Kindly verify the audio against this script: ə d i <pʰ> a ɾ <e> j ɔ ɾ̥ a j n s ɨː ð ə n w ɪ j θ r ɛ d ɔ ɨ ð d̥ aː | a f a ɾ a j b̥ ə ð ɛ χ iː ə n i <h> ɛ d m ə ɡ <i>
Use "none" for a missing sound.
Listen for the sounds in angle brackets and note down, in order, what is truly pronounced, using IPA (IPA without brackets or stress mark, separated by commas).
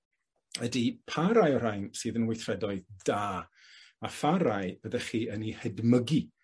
pʰ, a, h, i